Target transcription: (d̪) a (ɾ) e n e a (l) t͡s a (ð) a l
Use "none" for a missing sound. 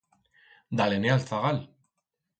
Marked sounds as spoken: d̪, l, l, ɣ

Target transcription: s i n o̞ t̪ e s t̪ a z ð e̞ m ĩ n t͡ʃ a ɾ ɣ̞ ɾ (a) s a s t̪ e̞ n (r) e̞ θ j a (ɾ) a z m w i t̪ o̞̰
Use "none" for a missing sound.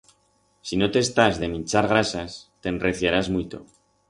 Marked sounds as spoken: a, r, ɾ

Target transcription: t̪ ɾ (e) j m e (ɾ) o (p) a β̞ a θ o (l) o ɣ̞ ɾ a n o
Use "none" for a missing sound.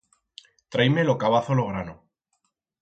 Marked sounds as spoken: a, l, k, l

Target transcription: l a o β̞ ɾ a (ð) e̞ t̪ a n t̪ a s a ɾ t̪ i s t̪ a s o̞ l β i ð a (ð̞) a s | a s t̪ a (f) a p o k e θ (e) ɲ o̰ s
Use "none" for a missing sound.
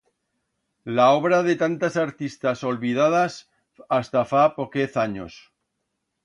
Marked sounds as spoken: ð, ð̞, f, a

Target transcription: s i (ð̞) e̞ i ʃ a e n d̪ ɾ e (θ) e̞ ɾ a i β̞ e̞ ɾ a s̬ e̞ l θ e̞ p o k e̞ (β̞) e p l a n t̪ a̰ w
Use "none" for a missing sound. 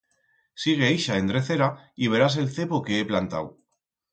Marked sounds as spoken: ɣ̞, θ, none

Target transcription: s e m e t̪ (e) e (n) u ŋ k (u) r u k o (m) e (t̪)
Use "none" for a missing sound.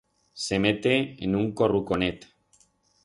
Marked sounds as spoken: e, n, o, n, t̪

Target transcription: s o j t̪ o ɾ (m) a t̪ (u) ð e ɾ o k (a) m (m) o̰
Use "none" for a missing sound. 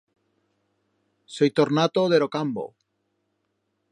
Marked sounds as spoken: n, o, a, b

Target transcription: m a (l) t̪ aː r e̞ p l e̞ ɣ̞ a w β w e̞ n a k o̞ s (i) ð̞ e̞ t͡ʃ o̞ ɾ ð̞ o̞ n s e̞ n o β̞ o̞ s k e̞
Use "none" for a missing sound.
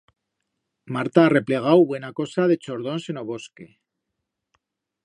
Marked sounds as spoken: ɾ, a

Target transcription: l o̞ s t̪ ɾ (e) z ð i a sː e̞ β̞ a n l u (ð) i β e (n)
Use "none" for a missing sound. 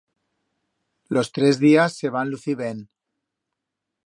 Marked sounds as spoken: e, θ, n

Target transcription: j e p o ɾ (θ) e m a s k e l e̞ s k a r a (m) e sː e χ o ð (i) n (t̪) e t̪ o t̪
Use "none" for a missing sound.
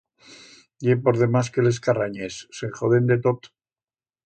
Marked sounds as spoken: ð, ɲ, e, d̪

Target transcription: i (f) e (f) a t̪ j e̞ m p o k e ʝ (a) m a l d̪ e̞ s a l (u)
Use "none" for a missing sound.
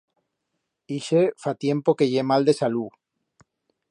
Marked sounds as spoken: ʃ, f, e, u

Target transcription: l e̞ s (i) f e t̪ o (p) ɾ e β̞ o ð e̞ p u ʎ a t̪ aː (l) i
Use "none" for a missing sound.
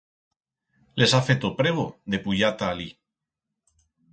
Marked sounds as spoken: a, p, l

